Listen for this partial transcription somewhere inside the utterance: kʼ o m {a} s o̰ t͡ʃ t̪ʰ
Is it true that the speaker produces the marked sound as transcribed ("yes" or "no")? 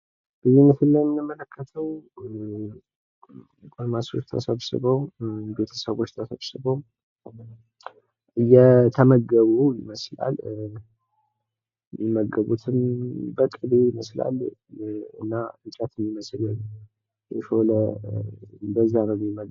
yes